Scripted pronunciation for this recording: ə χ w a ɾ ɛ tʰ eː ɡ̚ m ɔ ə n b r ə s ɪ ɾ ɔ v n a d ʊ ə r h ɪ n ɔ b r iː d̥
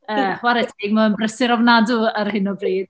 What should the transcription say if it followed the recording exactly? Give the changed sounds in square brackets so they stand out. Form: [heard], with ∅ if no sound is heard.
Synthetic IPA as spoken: ə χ w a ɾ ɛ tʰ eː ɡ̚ m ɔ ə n b r ə s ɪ ɾ ɔ v n a d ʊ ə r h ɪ n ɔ b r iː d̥